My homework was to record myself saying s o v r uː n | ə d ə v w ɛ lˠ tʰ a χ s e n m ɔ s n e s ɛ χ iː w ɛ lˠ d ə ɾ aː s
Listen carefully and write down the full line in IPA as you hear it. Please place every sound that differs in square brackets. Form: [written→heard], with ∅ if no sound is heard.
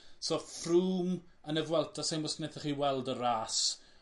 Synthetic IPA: s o [v→f] r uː [n→m] | ə [d→n] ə v w ɛ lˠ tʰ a [χ→∅] s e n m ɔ s n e [s→θ] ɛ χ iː w ɛ lˠ d ə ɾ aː s